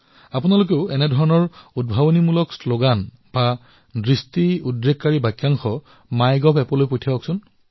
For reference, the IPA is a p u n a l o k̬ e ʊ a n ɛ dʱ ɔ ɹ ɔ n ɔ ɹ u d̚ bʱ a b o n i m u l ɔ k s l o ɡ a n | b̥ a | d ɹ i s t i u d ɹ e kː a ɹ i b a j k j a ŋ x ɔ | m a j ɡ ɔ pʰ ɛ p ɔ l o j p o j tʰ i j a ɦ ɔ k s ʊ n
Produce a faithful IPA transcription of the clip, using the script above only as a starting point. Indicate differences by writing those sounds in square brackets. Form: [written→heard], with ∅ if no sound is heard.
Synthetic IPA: a p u n a l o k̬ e ʊ [a→ɛ] n ɛ dʱ ɔ ɹ ɔ n ɔ ɹ u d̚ bʱ a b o n i m u l ɔ k s l o ɡ a n | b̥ a | d ɹ i s t i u d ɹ e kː a ɹ i b a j k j a ŋ x ɔ | m a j ɡ ɔ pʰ ɛ p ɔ l o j p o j tʰ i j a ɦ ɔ k s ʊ n

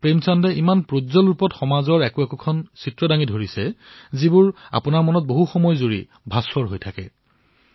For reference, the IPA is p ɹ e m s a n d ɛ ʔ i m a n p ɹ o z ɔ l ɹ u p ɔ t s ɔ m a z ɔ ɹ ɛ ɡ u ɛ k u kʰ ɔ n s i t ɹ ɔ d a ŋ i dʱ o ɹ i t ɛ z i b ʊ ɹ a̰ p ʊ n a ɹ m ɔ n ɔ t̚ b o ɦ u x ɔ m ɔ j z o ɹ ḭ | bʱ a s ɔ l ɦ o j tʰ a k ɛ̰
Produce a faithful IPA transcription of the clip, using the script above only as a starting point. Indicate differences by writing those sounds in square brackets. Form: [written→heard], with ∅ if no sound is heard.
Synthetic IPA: p ɹ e m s a n d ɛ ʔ i m a n p ɹ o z ɔ l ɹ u p ɔ t [s→x] ɔ m a z ɔ ɹ ɛ [ɡ→k] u ɛ k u kʰ ɔ n s i t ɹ ɔ d a ŋ i dʱ o ɹ i [t→s] ɛ z i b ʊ ɹ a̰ p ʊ n a ɹ m ɔ n ɔ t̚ b o ɦ u x ɔ m ɔ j z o ɹ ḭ | bʱ a s ɔ [l→ɹ] ɦ o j tʰ a k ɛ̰

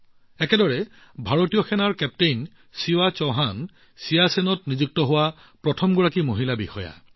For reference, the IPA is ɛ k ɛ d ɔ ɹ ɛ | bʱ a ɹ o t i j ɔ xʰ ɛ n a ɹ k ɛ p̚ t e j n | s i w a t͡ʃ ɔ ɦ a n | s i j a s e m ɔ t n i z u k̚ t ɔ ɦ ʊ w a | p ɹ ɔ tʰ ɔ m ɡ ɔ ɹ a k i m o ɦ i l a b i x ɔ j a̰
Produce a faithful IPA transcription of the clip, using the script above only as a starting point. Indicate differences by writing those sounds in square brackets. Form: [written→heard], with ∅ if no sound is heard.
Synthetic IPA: ɛ k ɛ d ɔ ɹ ɛ | bʱ a ɹ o t i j ɔ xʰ ɛ n a ɹ k ɛ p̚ t e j n | s i w a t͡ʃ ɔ ɦ a n | s i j a s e [m→n] ɔ t n i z u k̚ t ɔ ɦ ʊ w a | p ɹ ɔ tʰ ɔ m ɡ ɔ ɹ a k i m o ɦ i l a b i x ɔ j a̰

